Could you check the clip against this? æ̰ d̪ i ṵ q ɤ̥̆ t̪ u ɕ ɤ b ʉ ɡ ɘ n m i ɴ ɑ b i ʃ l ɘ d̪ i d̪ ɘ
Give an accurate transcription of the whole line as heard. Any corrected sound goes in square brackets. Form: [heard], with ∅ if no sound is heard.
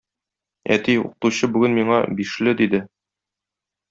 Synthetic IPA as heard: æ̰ [t̪] i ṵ q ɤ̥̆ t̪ u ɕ ɤ b ʉ ɡ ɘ n m i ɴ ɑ b i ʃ l ɘ d̪ i d̪ ɘ